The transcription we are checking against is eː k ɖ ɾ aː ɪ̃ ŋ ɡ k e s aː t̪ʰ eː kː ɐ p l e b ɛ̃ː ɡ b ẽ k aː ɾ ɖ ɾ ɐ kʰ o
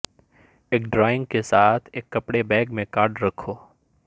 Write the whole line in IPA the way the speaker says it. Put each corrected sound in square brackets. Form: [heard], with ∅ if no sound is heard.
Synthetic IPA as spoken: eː k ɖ ɾ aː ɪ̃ ŋ ɡ k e s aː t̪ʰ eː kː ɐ p [ɽ] e b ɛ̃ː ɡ [m] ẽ k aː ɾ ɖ ɾ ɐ kʰ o

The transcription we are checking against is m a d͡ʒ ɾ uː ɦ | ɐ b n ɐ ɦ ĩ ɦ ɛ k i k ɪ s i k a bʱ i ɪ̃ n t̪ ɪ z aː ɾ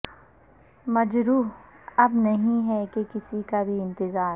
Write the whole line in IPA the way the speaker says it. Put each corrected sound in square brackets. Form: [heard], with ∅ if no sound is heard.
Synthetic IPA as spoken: m [ɐ] d͡ʒ ɾ uː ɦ | ɐ b n ɐ ɦ ĩ ɦ ɛ k [e] k ɪ s i k a bʱ i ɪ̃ n t̪ ɪ z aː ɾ

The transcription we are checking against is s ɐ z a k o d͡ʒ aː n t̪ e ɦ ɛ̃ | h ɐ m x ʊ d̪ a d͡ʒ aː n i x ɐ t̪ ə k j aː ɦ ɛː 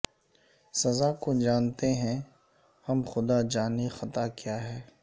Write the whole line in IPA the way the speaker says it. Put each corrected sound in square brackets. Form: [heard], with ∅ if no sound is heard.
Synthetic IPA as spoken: s ɐ z a k o d͡ʒ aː n t̪ e ɦ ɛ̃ | h ɐ m x ʊ d̪ a d͡ʒ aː n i x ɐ t̪ [a] k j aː ɦ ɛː

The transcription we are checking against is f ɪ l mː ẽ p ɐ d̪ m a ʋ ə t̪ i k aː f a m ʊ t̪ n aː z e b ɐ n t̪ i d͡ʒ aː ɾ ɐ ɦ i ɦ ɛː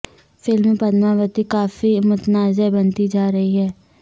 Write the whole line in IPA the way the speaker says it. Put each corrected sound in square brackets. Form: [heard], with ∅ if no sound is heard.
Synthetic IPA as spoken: f ɪ l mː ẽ p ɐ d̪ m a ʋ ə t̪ i k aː f [i] m ʊ t̪ n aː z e b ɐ n t̪ i d͡ʒ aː ɾ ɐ ɦ i ɦ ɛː

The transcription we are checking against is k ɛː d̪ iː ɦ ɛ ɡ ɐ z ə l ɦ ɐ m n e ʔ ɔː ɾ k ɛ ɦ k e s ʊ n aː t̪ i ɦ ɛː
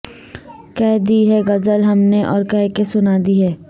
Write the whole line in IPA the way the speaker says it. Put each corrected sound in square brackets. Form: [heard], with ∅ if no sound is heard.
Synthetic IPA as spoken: k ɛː d̪ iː ɦ ɛ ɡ ɐ z ə l ɦ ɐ m n e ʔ ɔː ɾ k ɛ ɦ k e s ʊ n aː [d̪] i ɦ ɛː

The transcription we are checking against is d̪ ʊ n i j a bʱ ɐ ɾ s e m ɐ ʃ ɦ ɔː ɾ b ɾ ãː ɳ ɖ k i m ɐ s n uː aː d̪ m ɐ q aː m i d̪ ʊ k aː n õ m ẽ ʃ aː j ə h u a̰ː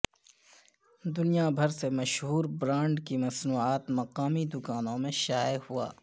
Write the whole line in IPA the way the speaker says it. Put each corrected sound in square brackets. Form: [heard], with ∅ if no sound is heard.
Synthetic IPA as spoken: d̪ ʊ n i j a bʱ ɐ ɾ s e m ɐ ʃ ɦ [uː] ɾ b ɾ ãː ɳ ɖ k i m ɐ s n uː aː [t̪] m ɐ q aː m i d̪ ʊ k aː n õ m ẽ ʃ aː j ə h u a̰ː

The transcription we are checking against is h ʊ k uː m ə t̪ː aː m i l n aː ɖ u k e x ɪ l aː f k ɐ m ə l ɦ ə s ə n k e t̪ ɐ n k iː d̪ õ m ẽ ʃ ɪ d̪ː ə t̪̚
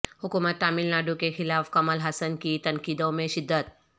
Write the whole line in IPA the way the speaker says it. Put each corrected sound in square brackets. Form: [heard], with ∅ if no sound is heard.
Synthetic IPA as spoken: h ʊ k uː m ə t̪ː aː m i l n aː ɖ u k e x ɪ l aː f k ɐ m ə l ɦ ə s ə n k [i] t̪ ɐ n k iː d̪ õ m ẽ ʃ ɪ d̪ː ə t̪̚

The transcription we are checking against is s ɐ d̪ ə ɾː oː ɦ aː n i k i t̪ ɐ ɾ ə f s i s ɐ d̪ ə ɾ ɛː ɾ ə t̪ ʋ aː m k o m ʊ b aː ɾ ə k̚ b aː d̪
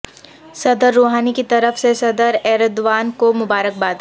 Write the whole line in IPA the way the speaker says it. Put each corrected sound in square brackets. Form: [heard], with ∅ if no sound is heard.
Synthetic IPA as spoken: s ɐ d̪ ə ɾː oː ɦ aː n i k i t̪ ɐ ɾ ə f s [e] s ɐ d̪ ə ɾ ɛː ɾ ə [d̪] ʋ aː [n] k o m ʊ b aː ɾ ə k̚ b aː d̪

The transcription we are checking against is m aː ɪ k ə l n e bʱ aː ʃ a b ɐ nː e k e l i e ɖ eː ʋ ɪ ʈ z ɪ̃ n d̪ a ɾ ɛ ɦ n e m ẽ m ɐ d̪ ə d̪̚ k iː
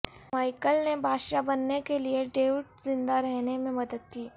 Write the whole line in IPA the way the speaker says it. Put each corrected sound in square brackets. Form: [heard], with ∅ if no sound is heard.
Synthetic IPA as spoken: m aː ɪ k ə l n e bʱ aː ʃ a b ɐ nː e k e l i e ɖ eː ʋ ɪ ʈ z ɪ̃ n d̪ a ɾ ɛ ɦ n e m ẽ m ɐ d̪ ə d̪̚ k iː

